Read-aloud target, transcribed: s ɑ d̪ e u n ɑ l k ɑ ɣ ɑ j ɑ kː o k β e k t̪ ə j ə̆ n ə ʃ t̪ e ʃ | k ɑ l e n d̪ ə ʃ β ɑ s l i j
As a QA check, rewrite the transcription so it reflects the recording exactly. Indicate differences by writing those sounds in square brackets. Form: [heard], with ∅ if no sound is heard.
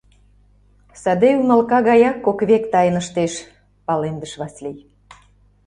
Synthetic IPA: s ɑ d̪ e u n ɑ l k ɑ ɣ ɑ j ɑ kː o k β e k t̪ [ɑ] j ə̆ n ə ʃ t̪ e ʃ | [p] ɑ l e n d̪ ə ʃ β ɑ s l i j